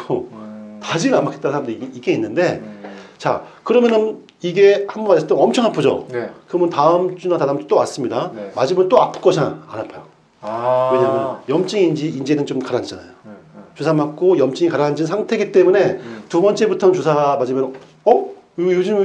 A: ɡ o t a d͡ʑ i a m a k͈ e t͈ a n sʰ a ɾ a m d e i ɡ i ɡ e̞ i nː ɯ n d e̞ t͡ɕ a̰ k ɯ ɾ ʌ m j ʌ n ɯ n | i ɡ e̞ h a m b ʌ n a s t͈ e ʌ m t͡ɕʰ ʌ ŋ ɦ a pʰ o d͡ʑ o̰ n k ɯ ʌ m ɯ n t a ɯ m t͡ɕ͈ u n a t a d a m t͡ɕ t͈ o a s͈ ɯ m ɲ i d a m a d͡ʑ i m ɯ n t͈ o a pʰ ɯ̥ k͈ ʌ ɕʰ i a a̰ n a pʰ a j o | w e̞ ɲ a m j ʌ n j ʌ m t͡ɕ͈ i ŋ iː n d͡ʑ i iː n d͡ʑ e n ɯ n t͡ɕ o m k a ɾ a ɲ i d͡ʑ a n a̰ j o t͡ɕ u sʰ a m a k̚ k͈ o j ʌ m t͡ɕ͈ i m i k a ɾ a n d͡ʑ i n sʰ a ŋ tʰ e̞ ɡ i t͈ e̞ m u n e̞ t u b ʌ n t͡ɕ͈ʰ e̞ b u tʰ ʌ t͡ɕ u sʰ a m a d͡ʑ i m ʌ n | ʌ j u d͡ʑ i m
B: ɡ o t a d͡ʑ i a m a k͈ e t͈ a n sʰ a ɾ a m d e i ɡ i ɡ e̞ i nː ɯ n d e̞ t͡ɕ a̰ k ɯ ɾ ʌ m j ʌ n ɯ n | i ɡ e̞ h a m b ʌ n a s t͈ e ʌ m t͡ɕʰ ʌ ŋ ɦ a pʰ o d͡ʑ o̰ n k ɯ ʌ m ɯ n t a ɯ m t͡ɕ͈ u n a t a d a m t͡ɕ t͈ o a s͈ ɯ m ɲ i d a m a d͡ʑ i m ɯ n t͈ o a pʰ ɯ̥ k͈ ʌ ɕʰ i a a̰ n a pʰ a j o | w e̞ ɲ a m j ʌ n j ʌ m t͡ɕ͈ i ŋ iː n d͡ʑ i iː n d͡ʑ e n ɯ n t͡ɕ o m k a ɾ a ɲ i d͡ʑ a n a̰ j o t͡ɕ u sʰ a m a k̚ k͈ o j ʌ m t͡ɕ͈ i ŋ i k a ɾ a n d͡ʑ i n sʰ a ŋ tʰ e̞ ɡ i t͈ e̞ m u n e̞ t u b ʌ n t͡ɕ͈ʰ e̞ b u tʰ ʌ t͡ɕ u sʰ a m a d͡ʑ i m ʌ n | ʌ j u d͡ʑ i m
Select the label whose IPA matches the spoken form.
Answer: B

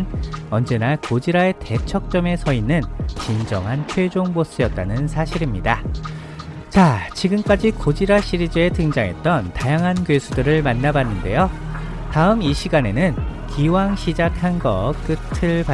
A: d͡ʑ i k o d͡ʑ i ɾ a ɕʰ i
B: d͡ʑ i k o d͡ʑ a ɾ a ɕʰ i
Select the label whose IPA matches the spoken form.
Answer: A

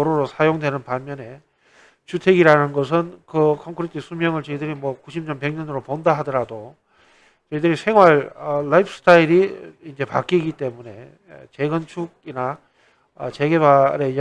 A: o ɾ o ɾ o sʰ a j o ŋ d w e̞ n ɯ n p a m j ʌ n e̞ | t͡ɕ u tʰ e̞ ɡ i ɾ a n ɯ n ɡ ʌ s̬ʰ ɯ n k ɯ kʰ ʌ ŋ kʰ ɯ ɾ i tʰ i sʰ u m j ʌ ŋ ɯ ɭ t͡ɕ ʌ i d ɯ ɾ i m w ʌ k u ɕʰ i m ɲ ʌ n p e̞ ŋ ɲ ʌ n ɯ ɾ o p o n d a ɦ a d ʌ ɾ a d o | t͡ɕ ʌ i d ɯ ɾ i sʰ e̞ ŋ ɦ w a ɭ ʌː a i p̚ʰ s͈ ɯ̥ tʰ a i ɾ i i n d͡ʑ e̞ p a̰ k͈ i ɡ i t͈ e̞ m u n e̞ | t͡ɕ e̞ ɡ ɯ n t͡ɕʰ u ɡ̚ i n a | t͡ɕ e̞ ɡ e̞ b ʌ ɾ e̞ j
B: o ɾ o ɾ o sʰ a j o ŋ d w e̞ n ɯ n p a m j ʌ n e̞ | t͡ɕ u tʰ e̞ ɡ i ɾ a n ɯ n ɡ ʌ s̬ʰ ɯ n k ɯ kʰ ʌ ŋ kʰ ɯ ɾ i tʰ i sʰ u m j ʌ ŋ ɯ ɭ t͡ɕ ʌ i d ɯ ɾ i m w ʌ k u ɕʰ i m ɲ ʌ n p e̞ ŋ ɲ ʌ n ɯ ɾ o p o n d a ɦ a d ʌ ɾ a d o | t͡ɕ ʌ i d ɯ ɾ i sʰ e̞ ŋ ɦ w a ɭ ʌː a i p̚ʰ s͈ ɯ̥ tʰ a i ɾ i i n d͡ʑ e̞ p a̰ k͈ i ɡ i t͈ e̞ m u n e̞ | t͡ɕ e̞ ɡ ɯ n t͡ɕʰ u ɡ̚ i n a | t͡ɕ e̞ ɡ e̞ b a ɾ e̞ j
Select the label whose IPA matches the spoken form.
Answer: B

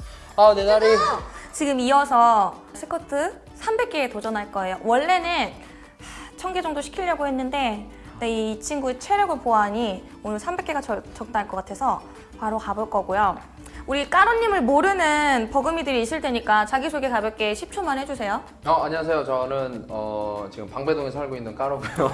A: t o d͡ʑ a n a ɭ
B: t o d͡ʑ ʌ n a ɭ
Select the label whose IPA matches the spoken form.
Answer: B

